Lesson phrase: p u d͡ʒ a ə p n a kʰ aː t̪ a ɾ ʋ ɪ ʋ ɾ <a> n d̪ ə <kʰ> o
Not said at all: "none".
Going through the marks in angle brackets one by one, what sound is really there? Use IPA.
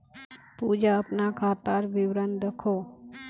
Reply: ə, kʰ

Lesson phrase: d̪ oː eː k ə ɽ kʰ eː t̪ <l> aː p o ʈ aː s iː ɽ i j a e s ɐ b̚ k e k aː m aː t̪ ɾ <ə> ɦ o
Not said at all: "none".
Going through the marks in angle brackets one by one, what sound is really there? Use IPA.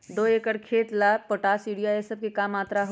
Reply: l, a

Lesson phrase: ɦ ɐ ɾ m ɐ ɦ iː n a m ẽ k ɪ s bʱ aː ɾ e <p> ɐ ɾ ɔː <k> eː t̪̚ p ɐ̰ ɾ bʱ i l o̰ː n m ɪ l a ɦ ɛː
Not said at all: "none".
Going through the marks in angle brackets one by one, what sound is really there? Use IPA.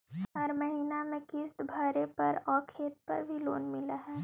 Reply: p, kʰ

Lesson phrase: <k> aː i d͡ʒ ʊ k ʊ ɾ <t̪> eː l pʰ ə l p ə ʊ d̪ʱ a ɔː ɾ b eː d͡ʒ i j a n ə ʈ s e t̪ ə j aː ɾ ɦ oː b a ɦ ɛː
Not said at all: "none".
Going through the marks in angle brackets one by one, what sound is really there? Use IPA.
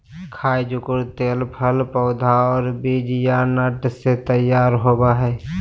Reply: kʰ, t̪

